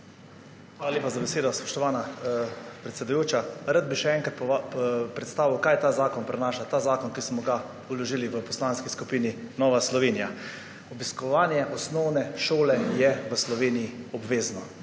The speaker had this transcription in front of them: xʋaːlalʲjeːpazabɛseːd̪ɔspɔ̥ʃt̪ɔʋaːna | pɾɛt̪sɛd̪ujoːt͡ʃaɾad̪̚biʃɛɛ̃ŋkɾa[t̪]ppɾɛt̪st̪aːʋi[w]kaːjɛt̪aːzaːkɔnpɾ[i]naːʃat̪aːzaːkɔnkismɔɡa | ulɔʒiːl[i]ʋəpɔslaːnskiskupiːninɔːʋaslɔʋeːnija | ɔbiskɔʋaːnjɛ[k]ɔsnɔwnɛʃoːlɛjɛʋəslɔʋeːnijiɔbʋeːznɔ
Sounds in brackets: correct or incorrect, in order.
correct, correct, incorrect: ɛ, correct, incorrect: ʔ

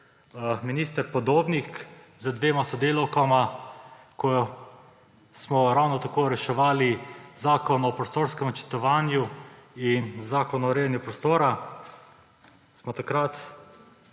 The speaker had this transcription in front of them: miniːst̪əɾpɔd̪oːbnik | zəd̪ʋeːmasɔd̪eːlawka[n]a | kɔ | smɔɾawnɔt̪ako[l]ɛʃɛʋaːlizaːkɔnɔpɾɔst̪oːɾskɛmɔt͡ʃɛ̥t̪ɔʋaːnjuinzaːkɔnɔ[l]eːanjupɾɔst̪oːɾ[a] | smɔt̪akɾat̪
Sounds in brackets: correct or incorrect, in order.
incorrect: m, incorrect: ɾ, incorrect: ɾ, correct

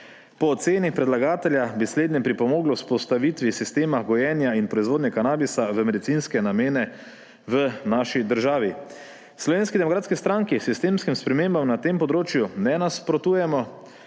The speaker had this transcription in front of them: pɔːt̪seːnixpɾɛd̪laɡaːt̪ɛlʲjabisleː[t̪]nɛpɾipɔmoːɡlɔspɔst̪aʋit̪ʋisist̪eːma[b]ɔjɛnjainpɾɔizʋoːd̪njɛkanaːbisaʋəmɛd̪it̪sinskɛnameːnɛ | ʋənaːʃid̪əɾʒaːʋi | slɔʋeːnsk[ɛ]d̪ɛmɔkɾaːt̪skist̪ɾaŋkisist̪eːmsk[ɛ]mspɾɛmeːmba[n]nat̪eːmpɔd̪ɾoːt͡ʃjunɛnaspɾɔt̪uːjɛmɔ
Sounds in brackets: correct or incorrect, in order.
incorrect: d̪, incorrect: ɡ, incorrect: i, incorrect: i, incorrect: m

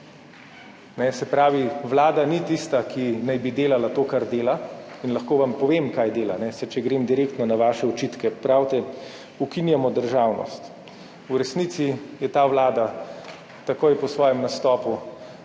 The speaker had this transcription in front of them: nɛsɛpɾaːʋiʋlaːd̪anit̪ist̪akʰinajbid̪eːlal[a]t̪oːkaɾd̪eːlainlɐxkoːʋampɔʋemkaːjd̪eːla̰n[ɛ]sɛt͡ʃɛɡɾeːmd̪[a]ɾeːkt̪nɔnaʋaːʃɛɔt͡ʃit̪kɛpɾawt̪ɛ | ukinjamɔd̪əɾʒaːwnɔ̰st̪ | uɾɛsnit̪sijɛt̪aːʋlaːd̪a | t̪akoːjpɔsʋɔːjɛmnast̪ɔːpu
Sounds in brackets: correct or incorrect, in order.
correct, correct, incorrect: i

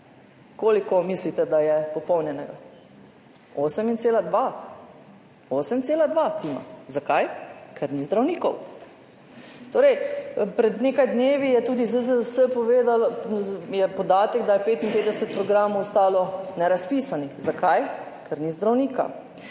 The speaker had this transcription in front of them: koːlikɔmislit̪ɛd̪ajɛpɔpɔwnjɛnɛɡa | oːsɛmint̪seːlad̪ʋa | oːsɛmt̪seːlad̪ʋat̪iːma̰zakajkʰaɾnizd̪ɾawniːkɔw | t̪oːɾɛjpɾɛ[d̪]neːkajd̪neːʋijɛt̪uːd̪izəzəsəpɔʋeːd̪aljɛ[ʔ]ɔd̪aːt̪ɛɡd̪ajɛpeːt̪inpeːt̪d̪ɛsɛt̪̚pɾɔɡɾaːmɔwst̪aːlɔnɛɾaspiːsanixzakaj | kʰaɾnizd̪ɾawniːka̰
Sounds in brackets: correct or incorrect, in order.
correct, incorrect: p

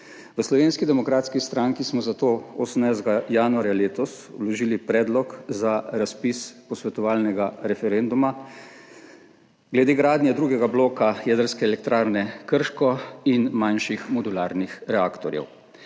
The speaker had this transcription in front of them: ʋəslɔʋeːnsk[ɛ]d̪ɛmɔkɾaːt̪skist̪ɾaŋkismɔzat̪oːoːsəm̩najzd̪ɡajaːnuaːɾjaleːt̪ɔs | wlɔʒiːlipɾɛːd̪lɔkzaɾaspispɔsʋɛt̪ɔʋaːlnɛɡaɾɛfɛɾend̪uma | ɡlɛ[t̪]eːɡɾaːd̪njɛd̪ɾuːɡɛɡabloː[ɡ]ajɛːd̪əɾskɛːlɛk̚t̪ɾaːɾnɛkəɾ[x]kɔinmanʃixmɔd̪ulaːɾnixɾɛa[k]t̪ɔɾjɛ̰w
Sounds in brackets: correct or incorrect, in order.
incorrect: i, incorrect: d̪, incorrect: k, incorrect: ʃ, correct

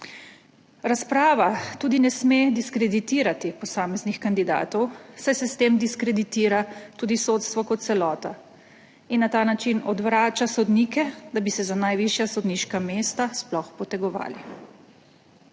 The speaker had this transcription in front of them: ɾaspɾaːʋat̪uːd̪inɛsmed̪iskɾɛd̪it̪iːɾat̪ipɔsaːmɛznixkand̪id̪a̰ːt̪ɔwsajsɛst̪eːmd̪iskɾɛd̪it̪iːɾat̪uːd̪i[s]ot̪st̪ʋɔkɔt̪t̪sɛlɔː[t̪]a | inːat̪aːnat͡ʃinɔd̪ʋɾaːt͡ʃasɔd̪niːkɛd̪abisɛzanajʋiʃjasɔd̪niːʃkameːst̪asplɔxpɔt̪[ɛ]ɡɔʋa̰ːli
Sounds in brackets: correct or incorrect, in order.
correct, correct, correct

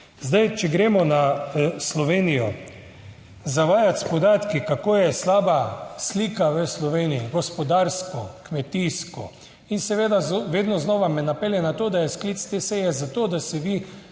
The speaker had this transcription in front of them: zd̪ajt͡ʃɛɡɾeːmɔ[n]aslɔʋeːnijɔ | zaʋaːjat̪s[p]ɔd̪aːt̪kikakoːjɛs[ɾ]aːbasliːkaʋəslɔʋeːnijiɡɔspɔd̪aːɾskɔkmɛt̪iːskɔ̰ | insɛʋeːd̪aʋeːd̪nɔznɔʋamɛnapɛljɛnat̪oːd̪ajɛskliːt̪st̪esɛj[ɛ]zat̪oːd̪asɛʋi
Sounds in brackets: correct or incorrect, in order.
correct, correct, incorrect: l, correct

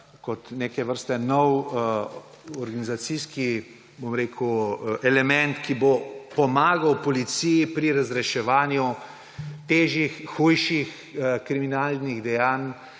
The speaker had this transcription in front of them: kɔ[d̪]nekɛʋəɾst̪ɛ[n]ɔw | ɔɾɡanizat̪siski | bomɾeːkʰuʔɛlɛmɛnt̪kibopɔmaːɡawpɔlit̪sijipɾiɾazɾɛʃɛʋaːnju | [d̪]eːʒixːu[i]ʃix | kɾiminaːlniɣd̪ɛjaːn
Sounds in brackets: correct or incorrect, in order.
incorrect: t̪, correct, incorrect: t̪, incorrect: j

